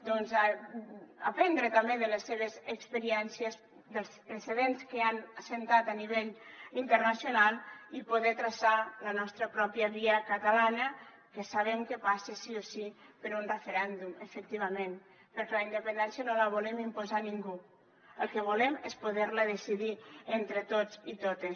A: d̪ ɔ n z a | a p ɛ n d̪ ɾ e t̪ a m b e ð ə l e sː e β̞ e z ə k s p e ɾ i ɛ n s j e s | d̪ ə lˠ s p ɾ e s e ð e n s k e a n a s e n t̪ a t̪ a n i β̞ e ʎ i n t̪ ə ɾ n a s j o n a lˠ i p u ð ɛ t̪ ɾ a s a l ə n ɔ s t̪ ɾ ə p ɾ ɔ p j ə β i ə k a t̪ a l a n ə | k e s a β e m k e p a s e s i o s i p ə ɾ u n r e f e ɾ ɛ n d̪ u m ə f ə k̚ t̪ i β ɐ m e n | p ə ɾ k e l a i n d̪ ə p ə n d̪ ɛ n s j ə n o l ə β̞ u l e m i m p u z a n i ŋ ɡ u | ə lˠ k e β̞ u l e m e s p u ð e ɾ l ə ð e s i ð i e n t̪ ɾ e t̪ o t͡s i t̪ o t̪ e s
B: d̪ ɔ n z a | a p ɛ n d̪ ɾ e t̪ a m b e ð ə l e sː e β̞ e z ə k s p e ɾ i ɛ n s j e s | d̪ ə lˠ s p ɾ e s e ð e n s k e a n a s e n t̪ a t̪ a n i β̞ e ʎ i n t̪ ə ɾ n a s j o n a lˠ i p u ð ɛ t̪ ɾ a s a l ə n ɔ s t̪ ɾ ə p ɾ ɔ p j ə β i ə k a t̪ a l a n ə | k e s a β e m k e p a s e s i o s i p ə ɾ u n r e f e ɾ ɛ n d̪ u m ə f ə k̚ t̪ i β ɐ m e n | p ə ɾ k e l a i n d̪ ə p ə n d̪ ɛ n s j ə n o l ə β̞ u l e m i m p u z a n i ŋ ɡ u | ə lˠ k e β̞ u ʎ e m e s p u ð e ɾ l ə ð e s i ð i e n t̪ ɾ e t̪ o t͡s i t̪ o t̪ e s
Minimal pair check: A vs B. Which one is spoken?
A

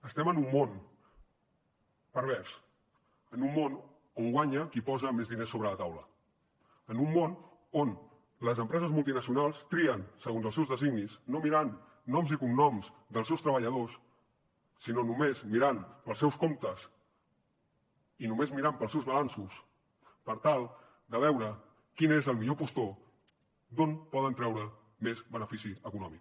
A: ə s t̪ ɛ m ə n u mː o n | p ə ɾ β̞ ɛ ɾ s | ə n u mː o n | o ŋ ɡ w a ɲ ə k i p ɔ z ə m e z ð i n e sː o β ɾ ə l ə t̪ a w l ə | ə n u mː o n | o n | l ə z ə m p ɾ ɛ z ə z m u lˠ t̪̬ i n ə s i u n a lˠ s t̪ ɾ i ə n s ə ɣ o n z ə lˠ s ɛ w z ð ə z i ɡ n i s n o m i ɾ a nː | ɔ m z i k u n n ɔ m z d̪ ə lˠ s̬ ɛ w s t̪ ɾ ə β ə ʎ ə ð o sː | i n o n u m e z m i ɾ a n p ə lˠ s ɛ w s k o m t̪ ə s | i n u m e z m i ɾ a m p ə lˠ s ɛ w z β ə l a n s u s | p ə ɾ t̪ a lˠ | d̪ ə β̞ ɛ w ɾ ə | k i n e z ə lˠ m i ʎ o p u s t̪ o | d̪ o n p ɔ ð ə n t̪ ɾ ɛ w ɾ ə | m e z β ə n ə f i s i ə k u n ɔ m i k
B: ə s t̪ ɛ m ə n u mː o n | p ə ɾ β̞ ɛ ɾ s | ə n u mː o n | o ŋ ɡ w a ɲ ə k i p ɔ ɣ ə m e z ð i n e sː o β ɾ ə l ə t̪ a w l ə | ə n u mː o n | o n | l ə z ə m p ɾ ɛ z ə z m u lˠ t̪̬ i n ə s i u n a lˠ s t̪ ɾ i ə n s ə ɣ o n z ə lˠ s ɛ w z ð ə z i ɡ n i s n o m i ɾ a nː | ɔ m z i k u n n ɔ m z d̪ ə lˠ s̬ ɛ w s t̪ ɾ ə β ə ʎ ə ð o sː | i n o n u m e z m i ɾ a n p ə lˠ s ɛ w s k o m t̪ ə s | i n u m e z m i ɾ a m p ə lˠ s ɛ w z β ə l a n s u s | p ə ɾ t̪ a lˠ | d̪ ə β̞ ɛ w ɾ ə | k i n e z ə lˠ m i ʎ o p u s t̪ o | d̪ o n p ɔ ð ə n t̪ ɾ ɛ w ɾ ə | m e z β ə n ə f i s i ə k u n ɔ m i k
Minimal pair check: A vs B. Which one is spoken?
A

